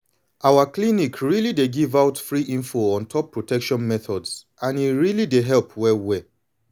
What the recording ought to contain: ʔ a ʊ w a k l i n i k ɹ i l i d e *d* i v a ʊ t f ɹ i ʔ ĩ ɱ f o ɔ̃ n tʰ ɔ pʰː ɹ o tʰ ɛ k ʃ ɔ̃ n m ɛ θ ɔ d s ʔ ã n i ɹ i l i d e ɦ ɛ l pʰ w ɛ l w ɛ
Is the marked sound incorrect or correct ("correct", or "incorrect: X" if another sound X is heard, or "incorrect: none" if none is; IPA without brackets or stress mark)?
incorrect: ɡ